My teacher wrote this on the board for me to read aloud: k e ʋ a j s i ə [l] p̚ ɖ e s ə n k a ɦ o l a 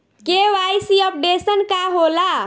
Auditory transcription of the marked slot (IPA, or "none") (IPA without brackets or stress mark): none